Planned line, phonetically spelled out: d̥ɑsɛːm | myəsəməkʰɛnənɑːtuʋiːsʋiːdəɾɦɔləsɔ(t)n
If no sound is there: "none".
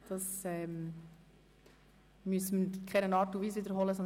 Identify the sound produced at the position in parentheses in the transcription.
none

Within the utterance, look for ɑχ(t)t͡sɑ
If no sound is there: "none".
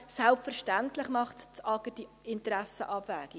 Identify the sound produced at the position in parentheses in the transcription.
t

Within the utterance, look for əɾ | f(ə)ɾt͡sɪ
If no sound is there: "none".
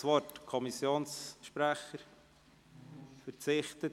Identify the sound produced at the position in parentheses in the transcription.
ə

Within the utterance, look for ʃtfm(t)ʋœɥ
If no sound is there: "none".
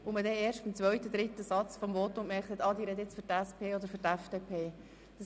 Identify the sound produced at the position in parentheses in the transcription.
t͡s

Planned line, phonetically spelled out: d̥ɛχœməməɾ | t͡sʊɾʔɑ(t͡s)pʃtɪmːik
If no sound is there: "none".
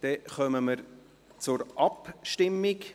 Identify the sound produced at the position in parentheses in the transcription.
none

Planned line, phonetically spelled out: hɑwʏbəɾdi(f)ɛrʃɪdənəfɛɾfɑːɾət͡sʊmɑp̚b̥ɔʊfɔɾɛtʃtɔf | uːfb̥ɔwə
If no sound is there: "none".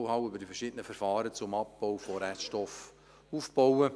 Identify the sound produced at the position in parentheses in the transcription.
f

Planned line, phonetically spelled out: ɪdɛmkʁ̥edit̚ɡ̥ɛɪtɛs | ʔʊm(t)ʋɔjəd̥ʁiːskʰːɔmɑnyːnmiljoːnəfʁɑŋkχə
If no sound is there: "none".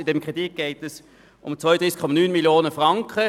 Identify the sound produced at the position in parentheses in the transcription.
t͡s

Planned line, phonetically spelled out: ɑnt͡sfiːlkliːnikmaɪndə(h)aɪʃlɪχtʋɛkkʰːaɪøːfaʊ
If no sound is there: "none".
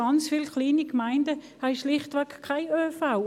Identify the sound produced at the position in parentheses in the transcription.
h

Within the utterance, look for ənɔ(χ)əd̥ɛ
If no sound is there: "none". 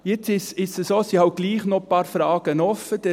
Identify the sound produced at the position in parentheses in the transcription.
f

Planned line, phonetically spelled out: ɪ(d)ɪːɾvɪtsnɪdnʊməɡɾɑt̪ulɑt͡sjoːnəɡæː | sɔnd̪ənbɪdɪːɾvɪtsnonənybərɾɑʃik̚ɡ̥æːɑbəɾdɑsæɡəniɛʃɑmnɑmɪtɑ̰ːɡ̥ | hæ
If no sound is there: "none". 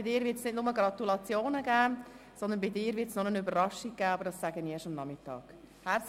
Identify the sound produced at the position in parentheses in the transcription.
d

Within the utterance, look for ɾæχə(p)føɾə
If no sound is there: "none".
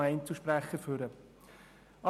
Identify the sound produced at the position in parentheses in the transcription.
none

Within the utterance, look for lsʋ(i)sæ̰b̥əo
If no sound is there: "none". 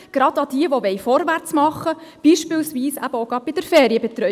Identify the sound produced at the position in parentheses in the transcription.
iː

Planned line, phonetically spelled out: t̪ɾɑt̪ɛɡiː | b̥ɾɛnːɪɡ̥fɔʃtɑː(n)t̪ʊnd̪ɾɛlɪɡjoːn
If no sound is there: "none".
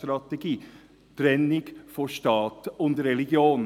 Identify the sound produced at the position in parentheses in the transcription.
none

